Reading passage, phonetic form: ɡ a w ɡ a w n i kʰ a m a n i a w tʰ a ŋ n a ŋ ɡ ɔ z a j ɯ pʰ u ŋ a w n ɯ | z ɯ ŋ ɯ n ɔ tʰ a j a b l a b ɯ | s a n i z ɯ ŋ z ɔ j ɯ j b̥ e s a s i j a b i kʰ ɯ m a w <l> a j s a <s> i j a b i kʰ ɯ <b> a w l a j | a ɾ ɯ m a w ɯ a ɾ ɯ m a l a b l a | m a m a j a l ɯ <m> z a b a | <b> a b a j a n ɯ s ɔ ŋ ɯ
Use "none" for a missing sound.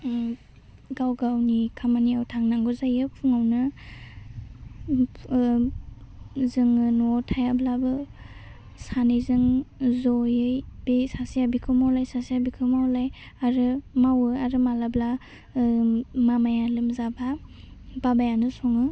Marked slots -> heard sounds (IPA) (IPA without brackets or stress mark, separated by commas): l, s, m, m, b